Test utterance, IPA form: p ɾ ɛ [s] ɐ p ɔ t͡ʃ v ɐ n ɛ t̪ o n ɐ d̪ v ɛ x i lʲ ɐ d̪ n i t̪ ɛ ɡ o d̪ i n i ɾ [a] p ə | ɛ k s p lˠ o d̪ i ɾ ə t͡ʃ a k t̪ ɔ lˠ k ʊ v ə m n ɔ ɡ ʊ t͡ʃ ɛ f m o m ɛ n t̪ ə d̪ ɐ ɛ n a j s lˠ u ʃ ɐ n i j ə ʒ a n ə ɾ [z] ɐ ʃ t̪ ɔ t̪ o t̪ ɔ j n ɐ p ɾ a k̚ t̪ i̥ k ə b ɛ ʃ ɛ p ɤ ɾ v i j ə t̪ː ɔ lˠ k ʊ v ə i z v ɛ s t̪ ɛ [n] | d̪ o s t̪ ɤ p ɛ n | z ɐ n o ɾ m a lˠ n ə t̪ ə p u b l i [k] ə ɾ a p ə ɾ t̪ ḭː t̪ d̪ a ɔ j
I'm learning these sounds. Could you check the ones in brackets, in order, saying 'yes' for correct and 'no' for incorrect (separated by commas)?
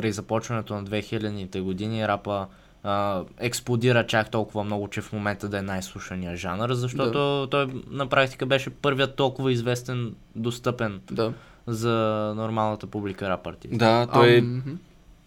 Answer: no, yes, yes, yes, yes